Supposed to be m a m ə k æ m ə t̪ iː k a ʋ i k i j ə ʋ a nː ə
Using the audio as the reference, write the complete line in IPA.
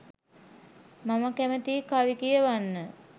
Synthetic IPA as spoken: m a m ə k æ m ə t̪ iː k a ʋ i k i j ə ʋ a nː ə